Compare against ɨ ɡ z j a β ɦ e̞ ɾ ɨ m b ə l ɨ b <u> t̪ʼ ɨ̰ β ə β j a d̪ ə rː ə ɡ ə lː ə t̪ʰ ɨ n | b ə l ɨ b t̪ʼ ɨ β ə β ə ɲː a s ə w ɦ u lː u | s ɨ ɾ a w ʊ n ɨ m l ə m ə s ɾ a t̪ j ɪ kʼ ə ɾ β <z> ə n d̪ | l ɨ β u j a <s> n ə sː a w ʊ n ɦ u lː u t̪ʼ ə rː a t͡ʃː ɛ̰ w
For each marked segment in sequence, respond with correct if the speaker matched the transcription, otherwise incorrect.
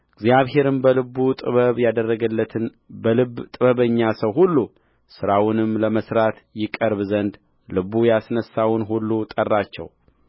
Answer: correct, correct, correct

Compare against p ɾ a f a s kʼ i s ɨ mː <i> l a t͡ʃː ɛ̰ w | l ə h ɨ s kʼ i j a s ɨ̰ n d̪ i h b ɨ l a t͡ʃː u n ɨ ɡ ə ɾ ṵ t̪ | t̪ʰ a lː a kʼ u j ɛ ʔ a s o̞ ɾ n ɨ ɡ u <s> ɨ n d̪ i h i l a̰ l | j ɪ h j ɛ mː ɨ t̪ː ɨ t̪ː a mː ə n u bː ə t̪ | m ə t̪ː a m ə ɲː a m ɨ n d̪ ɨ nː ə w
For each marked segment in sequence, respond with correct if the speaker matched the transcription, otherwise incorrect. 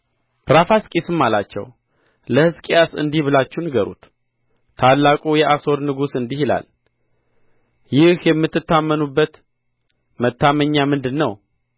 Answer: incorrect, correct

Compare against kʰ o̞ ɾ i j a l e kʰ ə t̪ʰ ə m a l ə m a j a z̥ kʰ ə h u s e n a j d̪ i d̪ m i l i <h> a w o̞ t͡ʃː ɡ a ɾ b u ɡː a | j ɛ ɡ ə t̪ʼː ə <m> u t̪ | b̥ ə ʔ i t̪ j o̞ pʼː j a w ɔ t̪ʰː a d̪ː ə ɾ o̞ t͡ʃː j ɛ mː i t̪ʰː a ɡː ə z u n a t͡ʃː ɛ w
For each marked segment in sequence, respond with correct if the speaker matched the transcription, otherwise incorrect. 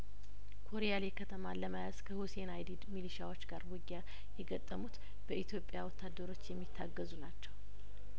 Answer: incorrect, correct

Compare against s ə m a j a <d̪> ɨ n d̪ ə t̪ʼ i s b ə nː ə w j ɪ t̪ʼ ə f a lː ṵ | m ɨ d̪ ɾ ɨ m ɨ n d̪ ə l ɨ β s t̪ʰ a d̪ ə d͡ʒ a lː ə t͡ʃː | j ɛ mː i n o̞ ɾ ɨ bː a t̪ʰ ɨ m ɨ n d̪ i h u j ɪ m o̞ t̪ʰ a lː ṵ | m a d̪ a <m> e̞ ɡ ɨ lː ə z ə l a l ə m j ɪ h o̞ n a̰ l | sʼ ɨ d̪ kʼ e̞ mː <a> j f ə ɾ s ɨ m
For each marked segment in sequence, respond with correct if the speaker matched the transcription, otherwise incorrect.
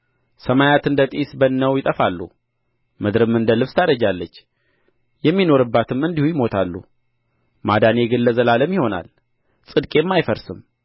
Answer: incorrect, incorrect, correct

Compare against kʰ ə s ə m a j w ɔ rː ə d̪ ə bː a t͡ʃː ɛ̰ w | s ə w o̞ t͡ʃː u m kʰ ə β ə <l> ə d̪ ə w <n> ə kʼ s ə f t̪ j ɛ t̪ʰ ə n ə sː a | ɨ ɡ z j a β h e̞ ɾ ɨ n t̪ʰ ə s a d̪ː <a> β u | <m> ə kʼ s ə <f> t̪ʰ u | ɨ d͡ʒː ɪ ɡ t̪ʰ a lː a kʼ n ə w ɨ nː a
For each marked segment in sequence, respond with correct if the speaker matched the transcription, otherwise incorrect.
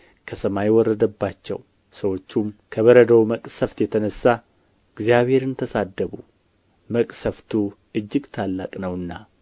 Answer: incorrect, incorrect, incorrect, correct, correct

